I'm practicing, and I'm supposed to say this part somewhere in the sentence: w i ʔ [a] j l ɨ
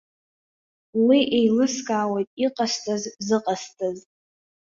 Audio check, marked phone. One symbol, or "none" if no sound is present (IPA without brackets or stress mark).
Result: e